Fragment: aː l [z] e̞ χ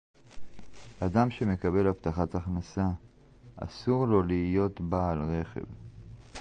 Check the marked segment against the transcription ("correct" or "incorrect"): incorrect